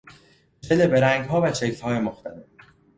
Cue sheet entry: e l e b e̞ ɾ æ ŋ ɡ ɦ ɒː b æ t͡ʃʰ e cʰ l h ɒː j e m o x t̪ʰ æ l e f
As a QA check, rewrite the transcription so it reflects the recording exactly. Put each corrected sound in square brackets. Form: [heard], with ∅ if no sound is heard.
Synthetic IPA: e l e b e̞ ɾ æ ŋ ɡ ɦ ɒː [v] æ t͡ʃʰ e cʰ l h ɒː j e m o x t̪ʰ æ l e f